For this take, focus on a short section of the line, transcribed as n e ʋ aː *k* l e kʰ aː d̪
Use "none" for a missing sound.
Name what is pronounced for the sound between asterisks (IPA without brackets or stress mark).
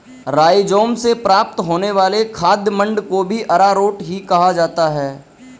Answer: none